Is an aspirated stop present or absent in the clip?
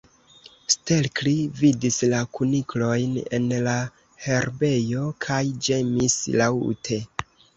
present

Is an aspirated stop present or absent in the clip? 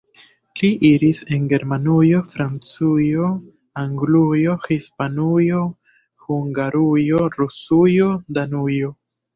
absent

